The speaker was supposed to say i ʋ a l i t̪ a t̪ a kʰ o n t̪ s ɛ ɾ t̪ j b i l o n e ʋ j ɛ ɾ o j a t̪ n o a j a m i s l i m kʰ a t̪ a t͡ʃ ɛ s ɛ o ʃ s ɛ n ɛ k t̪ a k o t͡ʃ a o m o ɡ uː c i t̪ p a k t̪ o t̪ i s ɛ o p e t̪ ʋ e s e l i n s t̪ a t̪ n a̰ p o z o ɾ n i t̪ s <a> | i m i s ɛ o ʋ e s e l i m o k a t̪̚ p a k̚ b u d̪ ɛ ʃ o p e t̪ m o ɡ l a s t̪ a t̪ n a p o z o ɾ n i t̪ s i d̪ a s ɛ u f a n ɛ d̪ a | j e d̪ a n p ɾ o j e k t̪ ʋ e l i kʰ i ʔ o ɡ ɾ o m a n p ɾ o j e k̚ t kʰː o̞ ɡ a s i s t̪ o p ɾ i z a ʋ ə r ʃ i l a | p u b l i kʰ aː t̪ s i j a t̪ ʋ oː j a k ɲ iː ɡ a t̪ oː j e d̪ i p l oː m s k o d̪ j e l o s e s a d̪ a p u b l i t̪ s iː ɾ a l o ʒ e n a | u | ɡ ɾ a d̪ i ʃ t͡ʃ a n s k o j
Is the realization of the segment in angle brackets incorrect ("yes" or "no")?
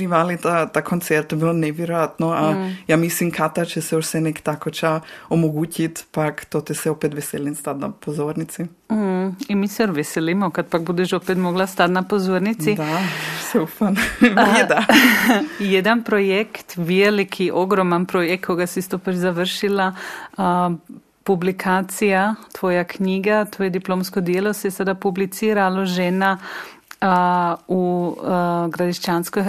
yes